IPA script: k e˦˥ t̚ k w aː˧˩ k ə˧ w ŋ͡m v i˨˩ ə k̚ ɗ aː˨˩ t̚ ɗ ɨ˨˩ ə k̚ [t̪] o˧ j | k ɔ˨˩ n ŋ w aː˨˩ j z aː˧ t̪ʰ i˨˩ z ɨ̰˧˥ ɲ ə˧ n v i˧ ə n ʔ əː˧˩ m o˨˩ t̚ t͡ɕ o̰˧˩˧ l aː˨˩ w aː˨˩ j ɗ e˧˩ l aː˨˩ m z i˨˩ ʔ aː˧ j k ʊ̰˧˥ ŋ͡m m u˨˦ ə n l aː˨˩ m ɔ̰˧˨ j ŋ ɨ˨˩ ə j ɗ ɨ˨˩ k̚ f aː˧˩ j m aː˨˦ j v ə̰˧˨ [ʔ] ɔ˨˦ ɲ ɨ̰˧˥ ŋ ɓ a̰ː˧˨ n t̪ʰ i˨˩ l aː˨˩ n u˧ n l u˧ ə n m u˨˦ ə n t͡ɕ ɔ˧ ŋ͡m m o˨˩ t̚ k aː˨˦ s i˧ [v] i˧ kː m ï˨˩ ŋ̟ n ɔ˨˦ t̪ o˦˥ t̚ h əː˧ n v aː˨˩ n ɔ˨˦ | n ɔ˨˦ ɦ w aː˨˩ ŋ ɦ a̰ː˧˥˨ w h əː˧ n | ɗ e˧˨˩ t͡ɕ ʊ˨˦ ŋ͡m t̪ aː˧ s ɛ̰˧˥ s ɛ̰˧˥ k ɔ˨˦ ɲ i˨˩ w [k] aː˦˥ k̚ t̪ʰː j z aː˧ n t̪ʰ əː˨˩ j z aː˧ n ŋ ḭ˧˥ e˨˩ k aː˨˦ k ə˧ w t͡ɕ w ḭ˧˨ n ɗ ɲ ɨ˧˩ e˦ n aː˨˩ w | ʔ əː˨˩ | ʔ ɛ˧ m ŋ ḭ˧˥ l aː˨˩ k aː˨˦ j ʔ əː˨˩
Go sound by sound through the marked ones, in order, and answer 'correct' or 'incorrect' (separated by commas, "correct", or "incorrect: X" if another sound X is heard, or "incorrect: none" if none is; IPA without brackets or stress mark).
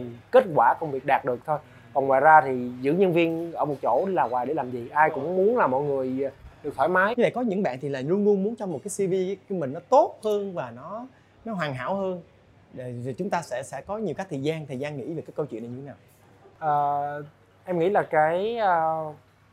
incorrect: t̪ʰ, incorrect: k, correct, correct